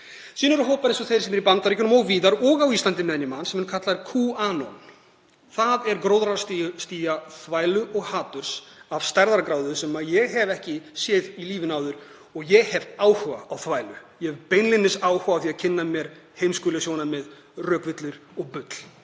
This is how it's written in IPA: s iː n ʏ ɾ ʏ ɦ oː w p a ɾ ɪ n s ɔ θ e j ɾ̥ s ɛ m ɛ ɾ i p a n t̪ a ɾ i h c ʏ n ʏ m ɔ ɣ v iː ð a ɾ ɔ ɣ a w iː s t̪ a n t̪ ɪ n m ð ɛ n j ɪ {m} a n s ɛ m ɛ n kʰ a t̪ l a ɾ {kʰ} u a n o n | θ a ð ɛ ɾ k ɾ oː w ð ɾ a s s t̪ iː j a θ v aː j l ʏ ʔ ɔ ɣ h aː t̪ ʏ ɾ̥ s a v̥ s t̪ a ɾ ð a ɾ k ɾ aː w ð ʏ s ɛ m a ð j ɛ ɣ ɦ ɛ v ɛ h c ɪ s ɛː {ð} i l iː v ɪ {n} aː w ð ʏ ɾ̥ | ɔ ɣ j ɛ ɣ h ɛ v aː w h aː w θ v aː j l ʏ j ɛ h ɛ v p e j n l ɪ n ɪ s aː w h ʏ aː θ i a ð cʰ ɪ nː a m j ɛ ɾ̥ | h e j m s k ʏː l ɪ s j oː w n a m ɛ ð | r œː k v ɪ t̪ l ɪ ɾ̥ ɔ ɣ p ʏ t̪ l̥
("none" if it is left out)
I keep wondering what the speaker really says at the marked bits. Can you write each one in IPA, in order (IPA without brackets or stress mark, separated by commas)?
m, kʰ, ð, n